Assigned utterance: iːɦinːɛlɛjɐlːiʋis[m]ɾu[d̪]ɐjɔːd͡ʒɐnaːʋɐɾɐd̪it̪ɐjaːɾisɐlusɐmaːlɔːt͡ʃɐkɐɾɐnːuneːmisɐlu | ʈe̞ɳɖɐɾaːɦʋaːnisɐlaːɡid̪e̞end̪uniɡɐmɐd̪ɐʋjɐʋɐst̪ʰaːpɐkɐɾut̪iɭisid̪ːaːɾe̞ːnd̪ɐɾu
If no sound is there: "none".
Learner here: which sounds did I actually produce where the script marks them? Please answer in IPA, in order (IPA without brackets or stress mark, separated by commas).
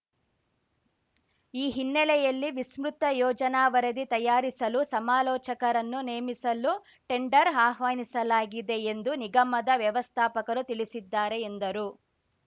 m, t̪